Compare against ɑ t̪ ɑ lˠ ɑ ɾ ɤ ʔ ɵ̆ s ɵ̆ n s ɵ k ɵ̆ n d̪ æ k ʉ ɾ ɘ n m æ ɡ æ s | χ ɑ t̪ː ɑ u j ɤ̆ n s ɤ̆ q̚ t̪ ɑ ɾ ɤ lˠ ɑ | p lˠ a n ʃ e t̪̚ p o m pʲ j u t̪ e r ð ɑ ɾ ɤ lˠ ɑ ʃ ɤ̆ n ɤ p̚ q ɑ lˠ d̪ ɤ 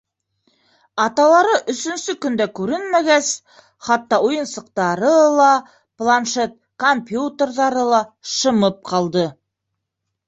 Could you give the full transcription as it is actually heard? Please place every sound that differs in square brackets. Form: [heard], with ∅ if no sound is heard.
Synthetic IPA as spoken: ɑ t̪ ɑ lˠ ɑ ɾ ɤ ʔ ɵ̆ s ɵ̆ n s ɵ k ɵ̆ n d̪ æ k ʉ ɾ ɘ n m æ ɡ æ s | χ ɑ t̪ː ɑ u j ɤ̆ n s ɤ̆ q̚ t̪ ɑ ɾ ɤ lˠ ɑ | p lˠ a n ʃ e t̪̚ [k] o m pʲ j u t̪ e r ð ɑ ɾ ɤ lˠ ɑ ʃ ɤ̆ [m] ɤ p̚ q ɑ lˠ d̪ ɤ